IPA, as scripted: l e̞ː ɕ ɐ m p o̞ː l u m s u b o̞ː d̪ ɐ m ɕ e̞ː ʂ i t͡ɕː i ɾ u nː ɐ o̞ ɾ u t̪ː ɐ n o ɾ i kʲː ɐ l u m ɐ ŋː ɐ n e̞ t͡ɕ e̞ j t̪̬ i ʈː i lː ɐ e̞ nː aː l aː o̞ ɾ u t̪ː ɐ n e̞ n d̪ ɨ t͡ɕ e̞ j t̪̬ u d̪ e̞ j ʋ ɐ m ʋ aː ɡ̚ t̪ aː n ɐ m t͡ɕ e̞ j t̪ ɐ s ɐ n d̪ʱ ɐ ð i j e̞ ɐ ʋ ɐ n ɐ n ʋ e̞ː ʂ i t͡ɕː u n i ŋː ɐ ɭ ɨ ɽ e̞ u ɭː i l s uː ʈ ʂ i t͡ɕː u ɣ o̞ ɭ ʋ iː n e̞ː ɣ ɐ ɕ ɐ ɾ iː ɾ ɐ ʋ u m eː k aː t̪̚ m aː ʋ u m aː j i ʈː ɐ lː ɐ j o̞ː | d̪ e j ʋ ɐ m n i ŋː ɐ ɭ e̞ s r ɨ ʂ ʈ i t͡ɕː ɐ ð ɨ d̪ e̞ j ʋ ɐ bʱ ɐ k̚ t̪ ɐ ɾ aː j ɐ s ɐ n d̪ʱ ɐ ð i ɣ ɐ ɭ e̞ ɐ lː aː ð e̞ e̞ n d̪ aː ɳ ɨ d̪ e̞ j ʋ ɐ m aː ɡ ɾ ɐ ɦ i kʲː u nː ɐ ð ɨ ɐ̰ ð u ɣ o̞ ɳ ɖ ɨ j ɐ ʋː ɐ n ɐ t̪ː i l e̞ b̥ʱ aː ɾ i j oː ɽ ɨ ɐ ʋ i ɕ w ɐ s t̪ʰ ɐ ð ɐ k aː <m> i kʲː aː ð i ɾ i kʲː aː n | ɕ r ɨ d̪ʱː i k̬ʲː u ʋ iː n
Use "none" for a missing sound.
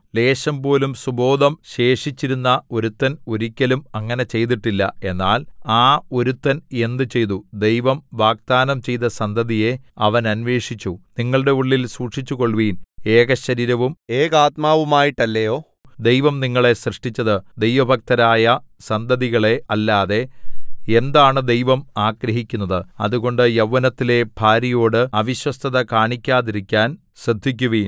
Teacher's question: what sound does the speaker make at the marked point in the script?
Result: ɳ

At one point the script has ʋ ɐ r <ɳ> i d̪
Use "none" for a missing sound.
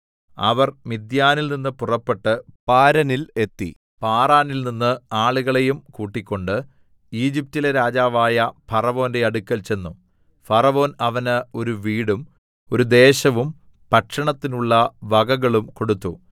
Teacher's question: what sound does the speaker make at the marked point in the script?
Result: m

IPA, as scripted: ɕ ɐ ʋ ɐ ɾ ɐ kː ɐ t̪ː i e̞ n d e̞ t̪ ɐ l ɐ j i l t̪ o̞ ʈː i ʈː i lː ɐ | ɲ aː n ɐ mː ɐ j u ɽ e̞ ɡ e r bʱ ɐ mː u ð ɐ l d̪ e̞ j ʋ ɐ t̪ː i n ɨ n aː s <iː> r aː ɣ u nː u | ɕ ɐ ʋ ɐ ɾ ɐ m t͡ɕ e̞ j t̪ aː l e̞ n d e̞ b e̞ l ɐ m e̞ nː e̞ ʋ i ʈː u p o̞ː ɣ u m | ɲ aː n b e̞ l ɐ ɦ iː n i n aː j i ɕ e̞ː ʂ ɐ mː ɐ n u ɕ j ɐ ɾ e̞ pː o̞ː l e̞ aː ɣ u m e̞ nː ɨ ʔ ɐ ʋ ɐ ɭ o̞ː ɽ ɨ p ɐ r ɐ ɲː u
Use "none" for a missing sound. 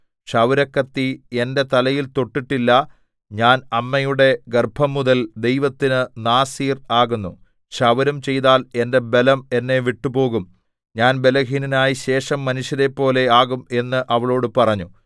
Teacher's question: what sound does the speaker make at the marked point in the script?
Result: iː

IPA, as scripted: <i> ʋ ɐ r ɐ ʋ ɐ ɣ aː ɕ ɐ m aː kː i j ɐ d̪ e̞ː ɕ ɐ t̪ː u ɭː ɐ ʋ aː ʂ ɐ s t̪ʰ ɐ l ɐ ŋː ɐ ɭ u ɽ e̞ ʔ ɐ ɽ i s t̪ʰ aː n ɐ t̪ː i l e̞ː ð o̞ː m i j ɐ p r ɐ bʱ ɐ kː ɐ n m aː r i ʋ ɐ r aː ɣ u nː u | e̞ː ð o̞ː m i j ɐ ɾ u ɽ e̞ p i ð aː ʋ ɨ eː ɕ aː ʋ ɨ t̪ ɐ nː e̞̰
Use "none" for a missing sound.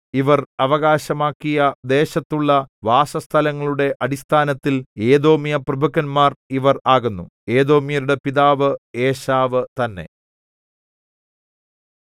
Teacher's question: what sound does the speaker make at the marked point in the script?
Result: i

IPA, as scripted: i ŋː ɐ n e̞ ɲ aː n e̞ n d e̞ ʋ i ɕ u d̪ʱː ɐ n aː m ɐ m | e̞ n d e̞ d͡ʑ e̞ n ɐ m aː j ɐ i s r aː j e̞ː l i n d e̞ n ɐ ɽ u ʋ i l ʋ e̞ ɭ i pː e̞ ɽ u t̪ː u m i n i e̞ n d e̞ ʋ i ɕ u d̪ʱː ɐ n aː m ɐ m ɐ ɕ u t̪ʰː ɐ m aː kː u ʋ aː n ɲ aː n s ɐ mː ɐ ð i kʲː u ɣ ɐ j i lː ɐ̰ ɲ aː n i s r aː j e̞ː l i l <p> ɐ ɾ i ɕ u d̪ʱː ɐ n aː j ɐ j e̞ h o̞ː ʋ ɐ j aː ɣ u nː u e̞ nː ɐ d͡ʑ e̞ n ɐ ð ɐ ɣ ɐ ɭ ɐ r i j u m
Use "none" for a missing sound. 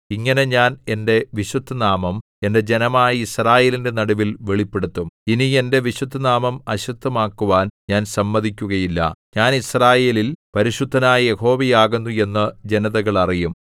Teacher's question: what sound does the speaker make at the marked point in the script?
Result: p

